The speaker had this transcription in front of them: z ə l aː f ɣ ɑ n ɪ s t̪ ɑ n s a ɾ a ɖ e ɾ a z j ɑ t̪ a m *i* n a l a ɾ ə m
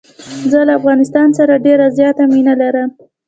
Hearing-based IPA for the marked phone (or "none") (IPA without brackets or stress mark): i